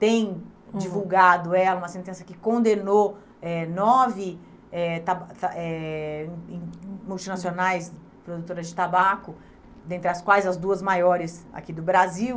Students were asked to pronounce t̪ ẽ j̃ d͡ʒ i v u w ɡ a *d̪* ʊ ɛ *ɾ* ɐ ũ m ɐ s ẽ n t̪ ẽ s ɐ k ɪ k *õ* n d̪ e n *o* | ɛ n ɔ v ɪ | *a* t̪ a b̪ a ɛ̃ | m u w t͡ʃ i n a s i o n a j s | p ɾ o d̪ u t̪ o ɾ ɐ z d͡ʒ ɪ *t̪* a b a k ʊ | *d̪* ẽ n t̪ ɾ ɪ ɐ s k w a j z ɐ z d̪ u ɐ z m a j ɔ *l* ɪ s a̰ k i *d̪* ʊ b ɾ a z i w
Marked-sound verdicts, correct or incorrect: correct, incorrect: l, correct, correct, incorrect: ɛ, correct, correct, incorrect: ɾ, correct

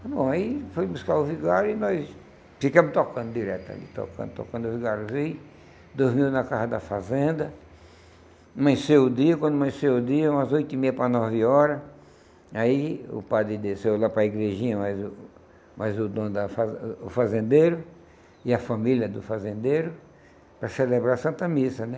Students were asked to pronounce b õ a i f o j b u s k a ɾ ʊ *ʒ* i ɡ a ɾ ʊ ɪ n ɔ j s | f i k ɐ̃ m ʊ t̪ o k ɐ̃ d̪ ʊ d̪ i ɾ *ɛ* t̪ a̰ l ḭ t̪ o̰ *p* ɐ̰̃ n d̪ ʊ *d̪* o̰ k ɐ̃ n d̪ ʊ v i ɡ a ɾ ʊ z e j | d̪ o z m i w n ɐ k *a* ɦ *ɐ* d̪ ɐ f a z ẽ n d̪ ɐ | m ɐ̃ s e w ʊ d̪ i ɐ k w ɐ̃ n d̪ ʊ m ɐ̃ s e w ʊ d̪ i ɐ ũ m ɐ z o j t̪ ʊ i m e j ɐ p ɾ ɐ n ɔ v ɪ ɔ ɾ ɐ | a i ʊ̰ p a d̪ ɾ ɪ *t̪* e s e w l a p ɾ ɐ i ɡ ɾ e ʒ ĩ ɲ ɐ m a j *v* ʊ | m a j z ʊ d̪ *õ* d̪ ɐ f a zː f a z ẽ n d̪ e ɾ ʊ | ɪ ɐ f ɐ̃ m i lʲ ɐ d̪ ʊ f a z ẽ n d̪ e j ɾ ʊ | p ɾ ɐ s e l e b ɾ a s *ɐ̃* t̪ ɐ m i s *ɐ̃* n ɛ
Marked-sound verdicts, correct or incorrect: incorrect: v, correct, incorrect: k, incorrect: t̪, correct, correct, incorrect: d̪, incorrect: z, correct, correct, incorrect: ɐ

